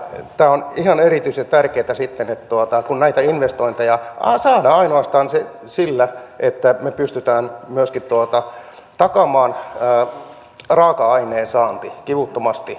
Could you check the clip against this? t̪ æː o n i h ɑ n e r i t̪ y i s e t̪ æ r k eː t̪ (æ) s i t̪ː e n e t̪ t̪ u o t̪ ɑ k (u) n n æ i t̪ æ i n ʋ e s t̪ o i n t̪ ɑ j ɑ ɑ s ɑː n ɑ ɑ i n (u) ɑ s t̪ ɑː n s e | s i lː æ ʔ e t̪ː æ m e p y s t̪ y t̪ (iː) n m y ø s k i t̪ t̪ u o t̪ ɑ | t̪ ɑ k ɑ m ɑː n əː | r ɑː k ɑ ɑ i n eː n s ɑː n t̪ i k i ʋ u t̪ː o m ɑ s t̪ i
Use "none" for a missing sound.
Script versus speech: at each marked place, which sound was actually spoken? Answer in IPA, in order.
æ, u, o, æː

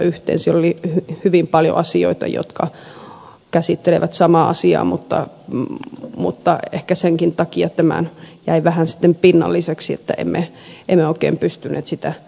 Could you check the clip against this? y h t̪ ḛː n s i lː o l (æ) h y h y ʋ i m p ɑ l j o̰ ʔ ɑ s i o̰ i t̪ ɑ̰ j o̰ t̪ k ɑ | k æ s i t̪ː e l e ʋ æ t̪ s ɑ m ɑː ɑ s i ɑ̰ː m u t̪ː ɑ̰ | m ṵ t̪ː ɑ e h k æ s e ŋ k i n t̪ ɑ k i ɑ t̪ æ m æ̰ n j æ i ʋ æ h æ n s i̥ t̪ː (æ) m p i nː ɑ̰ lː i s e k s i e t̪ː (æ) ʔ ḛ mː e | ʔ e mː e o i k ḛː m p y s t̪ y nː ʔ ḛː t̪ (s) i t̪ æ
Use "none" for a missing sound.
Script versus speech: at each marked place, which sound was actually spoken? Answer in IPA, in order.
i, e, æ, s

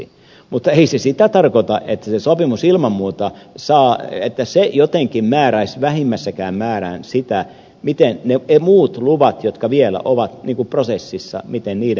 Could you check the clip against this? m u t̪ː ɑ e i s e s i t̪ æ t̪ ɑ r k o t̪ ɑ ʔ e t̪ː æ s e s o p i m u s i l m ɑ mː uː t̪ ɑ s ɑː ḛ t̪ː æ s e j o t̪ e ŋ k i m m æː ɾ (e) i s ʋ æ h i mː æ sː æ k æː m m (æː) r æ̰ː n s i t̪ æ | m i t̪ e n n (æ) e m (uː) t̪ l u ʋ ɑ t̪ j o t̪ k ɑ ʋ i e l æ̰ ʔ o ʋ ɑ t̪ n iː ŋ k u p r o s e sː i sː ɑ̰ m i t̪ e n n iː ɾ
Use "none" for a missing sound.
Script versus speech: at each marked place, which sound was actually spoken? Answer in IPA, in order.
æ, æː, e, uː

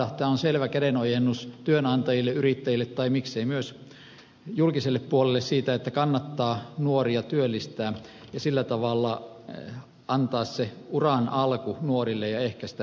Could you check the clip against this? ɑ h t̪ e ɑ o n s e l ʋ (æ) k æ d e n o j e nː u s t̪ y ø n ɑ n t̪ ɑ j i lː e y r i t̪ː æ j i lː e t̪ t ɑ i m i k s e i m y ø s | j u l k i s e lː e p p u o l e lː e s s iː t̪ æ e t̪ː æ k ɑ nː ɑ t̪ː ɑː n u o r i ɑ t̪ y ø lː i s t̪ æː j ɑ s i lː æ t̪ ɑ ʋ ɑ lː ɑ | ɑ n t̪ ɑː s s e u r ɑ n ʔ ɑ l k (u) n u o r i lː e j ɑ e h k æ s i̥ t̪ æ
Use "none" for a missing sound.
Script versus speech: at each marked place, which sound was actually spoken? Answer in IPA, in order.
æ, u

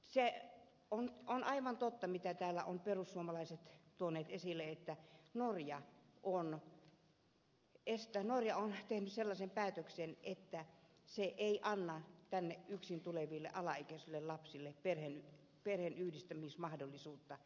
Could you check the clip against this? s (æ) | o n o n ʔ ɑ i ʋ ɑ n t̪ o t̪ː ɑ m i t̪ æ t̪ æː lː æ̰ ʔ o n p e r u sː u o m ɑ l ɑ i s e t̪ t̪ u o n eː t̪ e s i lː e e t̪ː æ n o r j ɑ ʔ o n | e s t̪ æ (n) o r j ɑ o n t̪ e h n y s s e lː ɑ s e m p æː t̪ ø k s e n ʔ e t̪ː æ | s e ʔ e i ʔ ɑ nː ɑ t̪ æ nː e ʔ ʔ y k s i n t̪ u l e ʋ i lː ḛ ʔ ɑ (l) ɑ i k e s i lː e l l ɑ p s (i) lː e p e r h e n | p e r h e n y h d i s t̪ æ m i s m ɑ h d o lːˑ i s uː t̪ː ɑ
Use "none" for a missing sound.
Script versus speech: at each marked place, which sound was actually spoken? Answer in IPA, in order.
e, n, l, i

